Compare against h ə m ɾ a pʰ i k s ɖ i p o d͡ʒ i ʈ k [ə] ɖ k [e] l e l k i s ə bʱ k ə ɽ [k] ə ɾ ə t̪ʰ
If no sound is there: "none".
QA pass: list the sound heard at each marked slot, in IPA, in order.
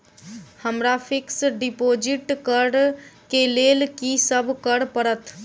ə, e, p

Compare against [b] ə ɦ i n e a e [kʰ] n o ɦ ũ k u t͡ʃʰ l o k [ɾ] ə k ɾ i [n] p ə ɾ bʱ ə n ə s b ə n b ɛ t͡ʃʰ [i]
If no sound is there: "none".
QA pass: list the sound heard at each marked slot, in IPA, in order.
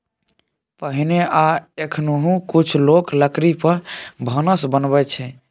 p, kʰ, l, none, ɛ

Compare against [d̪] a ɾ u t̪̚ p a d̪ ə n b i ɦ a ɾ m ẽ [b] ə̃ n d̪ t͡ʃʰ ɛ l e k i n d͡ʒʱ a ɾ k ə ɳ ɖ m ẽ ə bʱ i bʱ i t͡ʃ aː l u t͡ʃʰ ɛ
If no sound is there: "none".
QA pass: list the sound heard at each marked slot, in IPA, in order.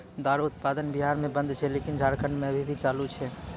d̪, b

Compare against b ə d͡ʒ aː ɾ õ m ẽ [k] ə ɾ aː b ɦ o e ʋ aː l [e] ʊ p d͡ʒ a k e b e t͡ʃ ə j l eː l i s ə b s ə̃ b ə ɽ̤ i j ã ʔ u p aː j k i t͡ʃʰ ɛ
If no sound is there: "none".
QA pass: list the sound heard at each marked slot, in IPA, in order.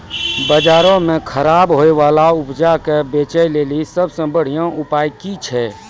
kʰ, a

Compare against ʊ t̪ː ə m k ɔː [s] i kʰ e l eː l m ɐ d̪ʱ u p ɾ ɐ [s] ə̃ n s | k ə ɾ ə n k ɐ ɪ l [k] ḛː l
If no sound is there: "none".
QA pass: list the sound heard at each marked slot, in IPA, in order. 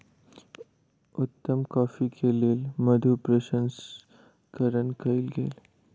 f, ʃ, ɡ

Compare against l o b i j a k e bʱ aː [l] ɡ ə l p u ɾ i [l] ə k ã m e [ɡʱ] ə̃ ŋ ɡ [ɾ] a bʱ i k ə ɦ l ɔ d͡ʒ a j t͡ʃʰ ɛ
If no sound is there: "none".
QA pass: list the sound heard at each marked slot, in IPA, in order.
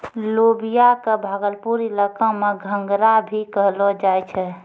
none, l, ɡʱ, ɾ

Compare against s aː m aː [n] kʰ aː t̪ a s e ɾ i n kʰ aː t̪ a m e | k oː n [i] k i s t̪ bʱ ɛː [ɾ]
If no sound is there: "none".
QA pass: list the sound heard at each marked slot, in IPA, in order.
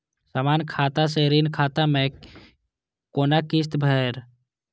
n, a, ɾ

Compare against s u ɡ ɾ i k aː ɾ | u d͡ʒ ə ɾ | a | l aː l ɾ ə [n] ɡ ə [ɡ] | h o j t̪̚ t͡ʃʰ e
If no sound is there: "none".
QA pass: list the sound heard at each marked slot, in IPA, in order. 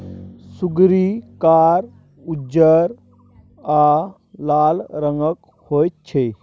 ŋ, k

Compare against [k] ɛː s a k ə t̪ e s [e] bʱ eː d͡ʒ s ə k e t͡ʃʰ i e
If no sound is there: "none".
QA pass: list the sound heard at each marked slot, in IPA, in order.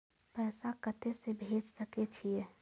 p, e

